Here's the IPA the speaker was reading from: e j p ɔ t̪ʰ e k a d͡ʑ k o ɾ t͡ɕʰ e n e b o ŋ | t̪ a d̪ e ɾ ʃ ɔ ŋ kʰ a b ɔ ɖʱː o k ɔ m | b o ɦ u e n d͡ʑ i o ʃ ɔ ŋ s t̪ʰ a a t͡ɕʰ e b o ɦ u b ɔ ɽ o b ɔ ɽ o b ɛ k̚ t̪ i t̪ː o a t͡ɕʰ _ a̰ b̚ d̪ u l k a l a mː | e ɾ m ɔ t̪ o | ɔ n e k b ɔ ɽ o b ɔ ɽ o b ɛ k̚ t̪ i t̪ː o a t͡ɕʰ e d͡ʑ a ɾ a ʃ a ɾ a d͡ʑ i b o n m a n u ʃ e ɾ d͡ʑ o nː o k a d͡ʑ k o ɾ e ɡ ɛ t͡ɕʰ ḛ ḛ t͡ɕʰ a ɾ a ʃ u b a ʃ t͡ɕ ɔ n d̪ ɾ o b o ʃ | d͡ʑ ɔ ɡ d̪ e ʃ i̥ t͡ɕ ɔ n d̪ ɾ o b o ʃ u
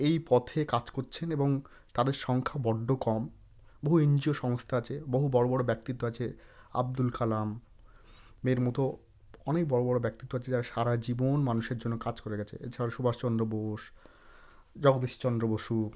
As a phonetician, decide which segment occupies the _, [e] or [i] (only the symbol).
e